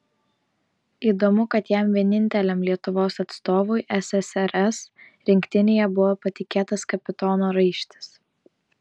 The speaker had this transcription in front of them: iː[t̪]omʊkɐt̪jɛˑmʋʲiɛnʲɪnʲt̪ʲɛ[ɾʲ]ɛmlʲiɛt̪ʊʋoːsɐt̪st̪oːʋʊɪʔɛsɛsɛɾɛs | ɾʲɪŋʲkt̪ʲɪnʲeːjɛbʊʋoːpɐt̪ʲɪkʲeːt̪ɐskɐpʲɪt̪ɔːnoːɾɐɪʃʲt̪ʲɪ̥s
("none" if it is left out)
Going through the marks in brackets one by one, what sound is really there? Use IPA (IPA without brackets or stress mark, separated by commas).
d̪, lʲ